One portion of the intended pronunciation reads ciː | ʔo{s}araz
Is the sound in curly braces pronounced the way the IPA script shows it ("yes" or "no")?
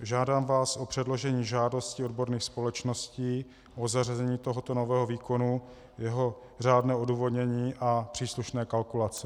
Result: no